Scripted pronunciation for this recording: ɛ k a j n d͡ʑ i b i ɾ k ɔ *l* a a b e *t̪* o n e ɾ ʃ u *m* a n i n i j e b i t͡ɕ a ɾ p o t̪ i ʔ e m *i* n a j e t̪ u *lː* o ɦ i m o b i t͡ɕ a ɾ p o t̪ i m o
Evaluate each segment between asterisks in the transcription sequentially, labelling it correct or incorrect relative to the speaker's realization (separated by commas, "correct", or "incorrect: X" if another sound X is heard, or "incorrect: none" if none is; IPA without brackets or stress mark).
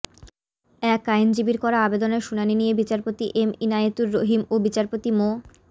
incorrect: ɾ, incorrect: d̪, incorrect: n, correct, incorrect: ɾː